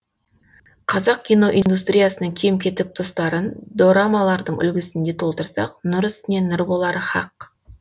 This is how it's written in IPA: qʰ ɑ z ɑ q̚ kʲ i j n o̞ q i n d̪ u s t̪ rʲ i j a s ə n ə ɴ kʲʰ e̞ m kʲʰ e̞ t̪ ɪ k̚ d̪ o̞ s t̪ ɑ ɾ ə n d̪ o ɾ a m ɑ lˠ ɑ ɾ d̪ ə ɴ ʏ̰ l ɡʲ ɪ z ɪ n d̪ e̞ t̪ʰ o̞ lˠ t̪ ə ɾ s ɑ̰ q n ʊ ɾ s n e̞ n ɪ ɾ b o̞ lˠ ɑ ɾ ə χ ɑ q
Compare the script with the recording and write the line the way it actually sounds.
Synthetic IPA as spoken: qʰ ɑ z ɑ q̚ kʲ i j n o̞ ʔ i n d̪ u s t̪ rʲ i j a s ə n ə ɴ kʲʰ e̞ m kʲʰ e̞ t̪ ɪ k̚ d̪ o̞ s t̪ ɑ ɾ ə n d̪ o ɾ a m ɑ lˠ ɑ ɾ d̪ ə ɴ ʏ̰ l ɡʲ ɪ s ɪ n d̪ e̞ t̪ʰ o̞ lˠ t̪ ə ɾ s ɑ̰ q n ʊ ɾ s n e̞ n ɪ ɾ b o̞ lˠ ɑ ɾ ə χ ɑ q